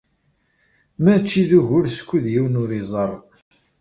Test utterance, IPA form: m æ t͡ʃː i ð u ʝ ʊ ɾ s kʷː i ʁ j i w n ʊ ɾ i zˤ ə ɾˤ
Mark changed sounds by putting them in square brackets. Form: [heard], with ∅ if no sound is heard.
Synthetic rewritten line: m æ t͡ʃː i ð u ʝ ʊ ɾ s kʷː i [ð] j i w n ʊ ɾ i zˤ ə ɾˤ